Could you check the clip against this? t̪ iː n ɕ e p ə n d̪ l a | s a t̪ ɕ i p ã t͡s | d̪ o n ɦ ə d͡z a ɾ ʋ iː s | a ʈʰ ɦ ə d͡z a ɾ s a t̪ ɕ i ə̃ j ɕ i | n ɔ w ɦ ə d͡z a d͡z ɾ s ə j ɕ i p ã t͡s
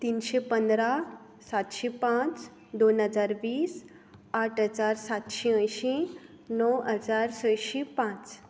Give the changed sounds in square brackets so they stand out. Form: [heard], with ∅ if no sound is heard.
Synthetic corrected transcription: t̪ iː n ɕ e p ə n d̪ [ɾ] a | s a t̪ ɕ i p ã t͡s | d̪ o n ɦ ə d͡z a ɾ ʋ iː s | a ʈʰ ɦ ə d͡z a ɾ s a t̪ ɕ i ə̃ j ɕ i | n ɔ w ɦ ə d͡z a [∅] ɾ s ə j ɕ i p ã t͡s